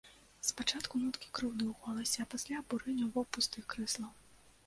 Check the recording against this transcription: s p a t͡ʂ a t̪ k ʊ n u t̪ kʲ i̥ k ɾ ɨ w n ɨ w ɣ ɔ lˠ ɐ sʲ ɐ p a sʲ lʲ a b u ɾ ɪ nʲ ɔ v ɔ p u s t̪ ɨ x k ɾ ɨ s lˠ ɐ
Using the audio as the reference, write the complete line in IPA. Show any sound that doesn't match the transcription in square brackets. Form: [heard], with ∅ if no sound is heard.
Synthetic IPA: s p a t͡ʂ a t̪ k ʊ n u t̪ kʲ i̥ k ɾ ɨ w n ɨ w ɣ ɔ lˠ ɐ sʲ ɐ p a sʲ lʲ a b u ɾ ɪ nʲ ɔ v ɔ p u s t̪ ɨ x k ɾ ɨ s lˠ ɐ